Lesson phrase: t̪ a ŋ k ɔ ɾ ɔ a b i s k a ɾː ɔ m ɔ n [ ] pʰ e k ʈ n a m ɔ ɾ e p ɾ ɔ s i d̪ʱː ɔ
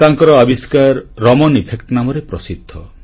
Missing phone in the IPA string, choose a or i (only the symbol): i